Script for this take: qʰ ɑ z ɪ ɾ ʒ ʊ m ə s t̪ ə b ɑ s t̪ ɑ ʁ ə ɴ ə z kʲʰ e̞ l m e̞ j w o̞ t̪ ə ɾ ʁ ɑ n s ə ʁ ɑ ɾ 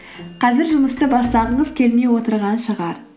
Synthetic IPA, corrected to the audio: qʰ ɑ z ɪ ɾ ʒ ʊ m ə s t̪ ə b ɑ s t̪ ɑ ʁ ə ɴ ə z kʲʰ e̞ l m e̞ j w o̞ t̪ ə ɾ ʁ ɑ n ʃ ə ʁ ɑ ɾ